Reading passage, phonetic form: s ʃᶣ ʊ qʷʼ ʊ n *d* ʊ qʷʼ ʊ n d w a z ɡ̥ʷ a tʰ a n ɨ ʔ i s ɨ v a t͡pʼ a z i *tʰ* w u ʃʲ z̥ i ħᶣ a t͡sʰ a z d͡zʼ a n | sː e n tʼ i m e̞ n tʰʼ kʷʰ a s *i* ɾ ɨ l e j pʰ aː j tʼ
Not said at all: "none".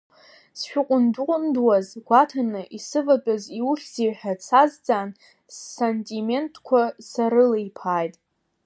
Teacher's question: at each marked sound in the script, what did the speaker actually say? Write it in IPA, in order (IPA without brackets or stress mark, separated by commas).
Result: d, none, a